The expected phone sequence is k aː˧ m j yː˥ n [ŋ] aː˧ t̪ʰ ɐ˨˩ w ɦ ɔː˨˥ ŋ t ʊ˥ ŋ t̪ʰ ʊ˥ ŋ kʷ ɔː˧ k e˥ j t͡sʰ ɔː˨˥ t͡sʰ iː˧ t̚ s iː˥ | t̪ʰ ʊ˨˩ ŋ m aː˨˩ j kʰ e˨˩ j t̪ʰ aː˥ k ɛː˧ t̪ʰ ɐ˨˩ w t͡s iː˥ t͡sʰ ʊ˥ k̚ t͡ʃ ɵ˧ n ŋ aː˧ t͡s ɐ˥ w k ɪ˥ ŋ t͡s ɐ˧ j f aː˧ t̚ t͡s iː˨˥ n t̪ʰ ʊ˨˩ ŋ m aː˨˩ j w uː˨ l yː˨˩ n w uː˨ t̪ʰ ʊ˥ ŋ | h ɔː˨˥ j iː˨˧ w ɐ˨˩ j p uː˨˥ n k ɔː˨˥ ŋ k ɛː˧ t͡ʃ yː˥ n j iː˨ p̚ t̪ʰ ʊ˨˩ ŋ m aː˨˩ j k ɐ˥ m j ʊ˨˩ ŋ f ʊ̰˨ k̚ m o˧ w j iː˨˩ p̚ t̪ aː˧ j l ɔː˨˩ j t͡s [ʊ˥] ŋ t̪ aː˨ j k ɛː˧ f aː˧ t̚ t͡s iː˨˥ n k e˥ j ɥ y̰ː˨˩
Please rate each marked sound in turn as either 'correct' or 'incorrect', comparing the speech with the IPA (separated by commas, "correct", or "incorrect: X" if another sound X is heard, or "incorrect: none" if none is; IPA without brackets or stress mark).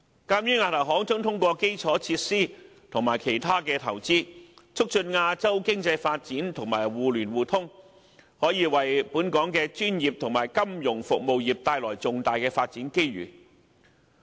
correct, incorrect: ʊ˨